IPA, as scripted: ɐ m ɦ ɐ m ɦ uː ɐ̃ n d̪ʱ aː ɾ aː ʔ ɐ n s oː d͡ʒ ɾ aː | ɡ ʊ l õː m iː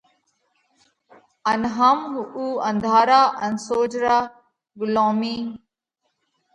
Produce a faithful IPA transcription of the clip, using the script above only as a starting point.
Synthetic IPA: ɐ n ɦ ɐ m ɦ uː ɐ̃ n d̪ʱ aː ɾ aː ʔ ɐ n s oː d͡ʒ ɾ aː | ɡ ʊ l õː m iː